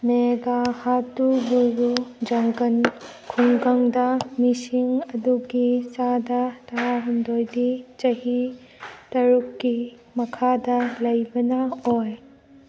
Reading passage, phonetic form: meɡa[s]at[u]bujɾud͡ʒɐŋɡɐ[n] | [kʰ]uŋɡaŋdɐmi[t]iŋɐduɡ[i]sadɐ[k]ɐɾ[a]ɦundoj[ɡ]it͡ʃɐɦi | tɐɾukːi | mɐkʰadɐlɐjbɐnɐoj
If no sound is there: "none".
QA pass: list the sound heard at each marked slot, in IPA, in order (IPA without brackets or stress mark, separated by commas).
h, u, n, kʰ, s, i, t, a, d